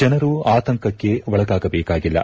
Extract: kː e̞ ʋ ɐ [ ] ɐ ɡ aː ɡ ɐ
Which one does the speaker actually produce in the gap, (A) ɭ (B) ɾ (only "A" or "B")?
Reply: A